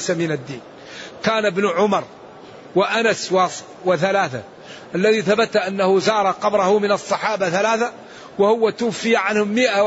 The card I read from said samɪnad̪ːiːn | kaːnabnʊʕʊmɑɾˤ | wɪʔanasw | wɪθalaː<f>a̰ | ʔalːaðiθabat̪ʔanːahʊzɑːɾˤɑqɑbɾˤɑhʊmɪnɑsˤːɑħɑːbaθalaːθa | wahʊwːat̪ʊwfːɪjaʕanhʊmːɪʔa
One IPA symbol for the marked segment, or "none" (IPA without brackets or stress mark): θ